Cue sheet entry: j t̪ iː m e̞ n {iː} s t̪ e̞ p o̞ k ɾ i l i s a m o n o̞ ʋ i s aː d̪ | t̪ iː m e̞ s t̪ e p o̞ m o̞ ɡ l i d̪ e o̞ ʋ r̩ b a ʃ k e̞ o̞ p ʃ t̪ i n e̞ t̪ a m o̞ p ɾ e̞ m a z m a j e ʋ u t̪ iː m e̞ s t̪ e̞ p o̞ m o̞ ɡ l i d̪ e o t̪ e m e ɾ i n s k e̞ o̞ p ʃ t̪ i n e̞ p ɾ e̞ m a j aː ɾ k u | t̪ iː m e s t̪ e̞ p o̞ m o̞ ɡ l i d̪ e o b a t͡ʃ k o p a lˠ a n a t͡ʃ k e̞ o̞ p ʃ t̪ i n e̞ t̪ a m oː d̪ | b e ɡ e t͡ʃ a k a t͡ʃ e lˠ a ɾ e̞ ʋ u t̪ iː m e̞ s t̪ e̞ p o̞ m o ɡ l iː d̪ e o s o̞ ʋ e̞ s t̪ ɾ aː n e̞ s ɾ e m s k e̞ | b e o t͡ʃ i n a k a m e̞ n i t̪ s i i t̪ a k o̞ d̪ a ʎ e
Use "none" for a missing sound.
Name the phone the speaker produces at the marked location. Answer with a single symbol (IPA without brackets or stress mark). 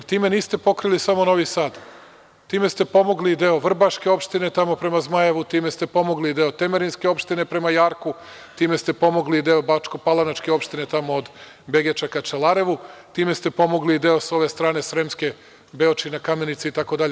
iː